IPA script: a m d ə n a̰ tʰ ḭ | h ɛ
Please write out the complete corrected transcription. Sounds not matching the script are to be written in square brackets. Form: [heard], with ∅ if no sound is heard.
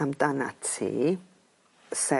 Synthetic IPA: a m d [a] n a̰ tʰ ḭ | [s] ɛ